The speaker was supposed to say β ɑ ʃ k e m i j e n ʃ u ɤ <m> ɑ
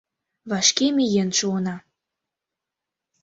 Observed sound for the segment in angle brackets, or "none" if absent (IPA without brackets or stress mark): n